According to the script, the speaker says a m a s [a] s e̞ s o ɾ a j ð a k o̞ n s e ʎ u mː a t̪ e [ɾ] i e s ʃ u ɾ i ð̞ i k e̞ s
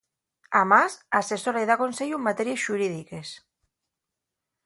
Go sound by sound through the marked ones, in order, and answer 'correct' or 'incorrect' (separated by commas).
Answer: correct, correct